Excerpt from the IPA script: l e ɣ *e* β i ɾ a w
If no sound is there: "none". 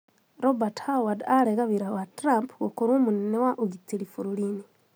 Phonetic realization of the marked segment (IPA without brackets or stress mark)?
a